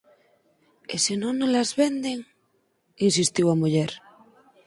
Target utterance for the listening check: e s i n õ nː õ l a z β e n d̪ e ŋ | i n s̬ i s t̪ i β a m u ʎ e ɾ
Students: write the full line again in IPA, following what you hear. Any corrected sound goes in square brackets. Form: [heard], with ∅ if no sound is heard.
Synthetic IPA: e s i n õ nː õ l a z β e n d̪ e ŋ | i n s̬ i s t̪ i [w] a m u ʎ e ɾ